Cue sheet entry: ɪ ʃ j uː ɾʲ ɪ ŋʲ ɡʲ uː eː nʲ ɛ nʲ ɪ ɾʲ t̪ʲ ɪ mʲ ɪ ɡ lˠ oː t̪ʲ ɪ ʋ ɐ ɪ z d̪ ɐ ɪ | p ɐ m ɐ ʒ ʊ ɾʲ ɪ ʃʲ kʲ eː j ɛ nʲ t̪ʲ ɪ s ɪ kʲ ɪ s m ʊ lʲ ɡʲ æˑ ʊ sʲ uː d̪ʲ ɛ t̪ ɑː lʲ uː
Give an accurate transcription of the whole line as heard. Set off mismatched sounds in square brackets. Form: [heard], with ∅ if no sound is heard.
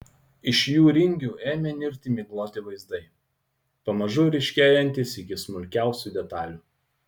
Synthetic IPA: ɪ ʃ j uː ɾʲ ɪ ŋʲ ɡʲ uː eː [mʲ] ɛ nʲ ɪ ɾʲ t̪ʲ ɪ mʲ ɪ ɡ lˠ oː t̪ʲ ɪ ʋ ɐ ɪ z d̪ ɐ ɪ | p ɐ m ɐ ʒ ʊ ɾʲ ɪ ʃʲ kʲ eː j ɛ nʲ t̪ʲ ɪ s ɪ kʲ ɪ s m ʊ lʲ [kʲ] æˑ ʊ sʲ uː d̪ʲ ɛ t̪ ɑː lʲ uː